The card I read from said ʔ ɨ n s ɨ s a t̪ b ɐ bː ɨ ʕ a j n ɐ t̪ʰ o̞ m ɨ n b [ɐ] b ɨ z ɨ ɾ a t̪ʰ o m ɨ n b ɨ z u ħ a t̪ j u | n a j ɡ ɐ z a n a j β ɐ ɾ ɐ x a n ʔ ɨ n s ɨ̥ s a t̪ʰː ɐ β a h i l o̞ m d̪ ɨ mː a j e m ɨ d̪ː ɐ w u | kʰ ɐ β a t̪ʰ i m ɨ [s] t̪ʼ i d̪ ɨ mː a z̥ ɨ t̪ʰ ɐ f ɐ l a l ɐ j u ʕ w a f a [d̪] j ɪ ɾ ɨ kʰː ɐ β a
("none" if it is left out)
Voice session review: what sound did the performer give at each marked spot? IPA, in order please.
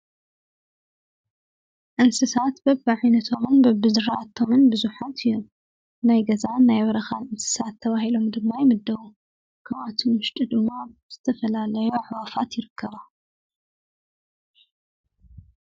ɐ, ʃ, t̪

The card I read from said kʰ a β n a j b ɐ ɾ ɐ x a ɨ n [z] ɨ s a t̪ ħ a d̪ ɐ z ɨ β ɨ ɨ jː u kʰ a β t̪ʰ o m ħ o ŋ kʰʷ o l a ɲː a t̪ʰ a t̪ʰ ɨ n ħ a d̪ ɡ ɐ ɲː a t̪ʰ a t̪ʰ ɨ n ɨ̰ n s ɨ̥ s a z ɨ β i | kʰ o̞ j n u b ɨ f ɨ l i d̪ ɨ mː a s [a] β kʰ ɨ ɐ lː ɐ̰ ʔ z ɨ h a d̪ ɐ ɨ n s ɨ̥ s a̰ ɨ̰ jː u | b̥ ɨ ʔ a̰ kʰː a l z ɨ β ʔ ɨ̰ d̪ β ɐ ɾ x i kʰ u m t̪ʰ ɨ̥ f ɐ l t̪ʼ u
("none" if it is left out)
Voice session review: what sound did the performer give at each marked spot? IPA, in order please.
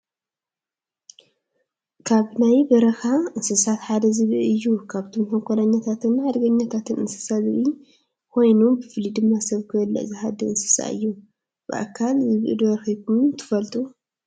s, ɐ

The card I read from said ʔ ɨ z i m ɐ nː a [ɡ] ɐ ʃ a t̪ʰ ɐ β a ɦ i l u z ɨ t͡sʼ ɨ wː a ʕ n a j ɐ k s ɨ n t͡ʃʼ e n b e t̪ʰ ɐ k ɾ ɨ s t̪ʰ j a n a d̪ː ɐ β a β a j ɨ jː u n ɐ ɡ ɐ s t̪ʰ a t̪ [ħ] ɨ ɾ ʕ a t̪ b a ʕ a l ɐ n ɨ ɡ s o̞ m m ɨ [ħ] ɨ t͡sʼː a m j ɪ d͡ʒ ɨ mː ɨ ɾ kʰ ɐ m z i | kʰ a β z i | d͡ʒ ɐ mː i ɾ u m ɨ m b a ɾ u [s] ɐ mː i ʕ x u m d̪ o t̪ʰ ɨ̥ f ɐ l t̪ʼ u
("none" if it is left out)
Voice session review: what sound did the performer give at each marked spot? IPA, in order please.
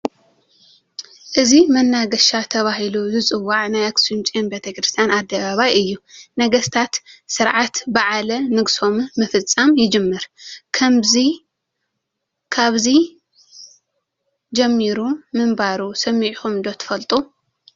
ɡ, s, f, s

